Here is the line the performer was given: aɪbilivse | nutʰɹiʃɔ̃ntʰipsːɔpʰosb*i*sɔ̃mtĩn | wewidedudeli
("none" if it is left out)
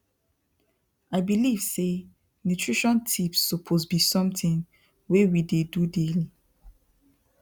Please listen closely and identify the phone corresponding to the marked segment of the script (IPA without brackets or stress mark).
i